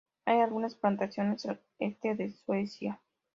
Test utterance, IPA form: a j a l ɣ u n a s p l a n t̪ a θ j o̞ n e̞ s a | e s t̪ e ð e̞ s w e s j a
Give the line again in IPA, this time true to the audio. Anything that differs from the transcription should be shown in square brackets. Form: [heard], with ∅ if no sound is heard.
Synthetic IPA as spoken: a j a l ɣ u n a s p l a n t̪ a [s] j o̞ n e̞ s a | e s t̪ e ð e̞ s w e s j a